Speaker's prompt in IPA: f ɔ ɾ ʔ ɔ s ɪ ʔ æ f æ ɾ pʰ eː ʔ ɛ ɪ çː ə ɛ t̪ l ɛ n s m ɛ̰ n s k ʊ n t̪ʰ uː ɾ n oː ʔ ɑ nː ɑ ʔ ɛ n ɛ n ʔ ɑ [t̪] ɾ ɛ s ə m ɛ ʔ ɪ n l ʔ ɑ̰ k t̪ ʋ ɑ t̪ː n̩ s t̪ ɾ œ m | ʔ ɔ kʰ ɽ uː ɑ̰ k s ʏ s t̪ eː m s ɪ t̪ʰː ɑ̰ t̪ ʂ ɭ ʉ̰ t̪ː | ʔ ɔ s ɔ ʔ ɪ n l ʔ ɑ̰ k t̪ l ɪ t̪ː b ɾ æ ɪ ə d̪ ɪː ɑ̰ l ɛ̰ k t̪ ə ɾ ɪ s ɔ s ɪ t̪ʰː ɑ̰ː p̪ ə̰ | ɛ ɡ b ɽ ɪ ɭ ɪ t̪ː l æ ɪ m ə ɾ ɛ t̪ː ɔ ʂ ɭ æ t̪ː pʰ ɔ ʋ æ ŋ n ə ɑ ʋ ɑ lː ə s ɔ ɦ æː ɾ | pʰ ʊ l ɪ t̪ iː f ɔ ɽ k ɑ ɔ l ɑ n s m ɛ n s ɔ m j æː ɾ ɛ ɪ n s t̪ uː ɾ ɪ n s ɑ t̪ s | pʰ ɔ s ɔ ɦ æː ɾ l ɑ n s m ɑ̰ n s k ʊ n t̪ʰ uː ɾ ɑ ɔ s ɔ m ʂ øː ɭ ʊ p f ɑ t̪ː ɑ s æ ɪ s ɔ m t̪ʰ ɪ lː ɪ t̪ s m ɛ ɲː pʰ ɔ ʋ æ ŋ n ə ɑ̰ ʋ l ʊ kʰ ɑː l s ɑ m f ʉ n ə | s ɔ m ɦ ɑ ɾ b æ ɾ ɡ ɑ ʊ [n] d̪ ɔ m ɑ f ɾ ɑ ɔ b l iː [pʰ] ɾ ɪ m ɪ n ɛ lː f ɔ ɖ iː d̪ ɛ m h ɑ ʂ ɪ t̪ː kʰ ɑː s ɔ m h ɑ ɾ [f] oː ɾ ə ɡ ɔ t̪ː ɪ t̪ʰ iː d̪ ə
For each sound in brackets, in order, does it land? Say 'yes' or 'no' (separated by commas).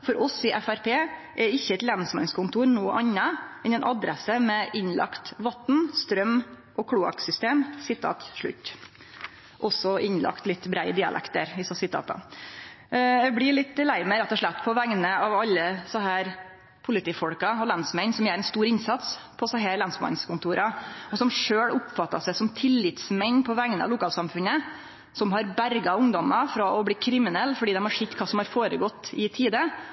no, no, no, yes